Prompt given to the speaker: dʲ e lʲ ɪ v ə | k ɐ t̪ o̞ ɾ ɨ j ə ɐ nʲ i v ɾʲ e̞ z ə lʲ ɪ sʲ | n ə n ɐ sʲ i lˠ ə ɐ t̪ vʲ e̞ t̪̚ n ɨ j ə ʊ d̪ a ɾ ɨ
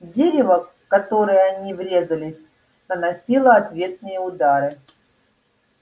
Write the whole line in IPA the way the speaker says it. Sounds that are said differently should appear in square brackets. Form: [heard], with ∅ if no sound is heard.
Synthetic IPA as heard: dʲ e [ɾʲ] ɪ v ə | k ɐ t̪ o̞ ɾ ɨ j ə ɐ nʲ i v ɾʲ e̞ z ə lʲ ɪ sʲ | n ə n ɐ sʲ i lˠ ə ɐ t̪ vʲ e̞ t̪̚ n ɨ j ə ʊ d̪ a ɾ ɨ